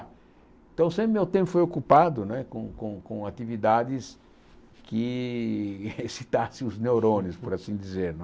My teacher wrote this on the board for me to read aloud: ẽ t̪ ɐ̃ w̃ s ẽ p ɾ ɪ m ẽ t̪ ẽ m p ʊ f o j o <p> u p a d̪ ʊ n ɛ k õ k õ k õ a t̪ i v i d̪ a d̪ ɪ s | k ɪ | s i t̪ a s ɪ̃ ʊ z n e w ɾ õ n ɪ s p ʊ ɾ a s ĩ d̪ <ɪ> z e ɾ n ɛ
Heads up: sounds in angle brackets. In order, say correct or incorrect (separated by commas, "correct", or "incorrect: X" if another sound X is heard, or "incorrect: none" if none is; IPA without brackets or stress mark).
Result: incorrect: k, incorrect: i